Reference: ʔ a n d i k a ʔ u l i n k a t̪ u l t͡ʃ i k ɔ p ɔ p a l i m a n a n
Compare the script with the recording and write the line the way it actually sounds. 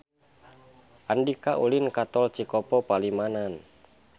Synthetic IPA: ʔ a n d i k a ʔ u l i n k a t̪ ɔ l t͡ʃ i k ɔ p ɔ p a l i m a n a n

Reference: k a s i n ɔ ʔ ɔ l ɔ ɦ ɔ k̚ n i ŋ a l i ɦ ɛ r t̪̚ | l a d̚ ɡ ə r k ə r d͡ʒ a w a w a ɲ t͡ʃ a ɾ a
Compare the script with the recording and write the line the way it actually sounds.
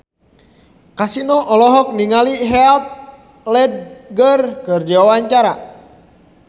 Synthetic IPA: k a s i n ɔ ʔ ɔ l ɔ ɦ ɔ k̚ n i ŋ a l i ɦ ɛ l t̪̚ | l ɛ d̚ ɡ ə r k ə r d͡ʒ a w a w a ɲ t͡ʃ a ɾ a

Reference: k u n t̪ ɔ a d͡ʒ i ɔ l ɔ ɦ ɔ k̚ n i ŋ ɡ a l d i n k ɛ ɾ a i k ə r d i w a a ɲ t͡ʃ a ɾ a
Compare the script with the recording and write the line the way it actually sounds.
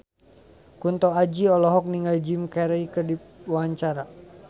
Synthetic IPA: k u n t̪ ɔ a d͡ʒ i ɔ l ɔ ɦ ɔ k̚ n i ŋ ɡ a l d͡ʒ i m k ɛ ɾ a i k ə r d i w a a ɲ t͡ʃ a ɾ a

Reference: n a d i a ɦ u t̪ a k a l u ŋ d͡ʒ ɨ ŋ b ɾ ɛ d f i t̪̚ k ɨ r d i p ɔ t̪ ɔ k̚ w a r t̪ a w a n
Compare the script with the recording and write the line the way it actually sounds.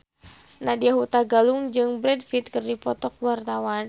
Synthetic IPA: n a d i a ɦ u t̪ a ɡ a l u ŋ d͡ʒ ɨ ŋ b ɾ ɛ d f i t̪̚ k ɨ r d i p ɔ t̪ ɔ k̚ w a r t̪ a w a n

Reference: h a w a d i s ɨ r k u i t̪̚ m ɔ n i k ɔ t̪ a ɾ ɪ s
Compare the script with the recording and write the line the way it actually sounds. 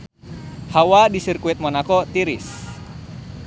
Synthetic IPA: h a w a d i s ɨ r k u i t̪̚ m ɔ n a k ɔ t̪ i ɾ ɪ s

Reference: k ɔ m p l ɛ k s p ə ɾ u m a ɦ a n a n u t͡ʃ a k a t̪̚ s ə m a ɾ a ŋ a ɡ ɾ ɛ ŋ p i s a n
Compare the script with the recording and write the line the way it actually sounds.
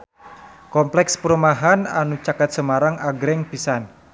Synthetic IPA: k ɔ m p l ɛ k s p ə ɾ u m a ɦ a n a n u t͡ʃ a k a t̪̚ s ə m a ɾ a ŋ a ɡ ɾ ɛ ŋ p i s a n

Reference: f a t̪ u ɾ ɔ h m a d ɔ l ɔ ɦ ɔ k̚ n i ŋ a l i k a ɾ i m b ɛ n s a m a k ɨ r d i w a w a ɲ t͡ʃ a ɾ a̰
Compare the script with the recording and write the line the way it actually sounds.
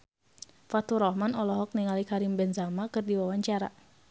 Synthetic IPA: f a t̪ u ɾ ɔ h m a n ɔ l ɔ ɦ ɔ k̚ n i ŋ a l i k a ɾ i m b ɛ n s a m a k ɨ r d i w a w a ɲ t͡ʃ a ɾ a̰

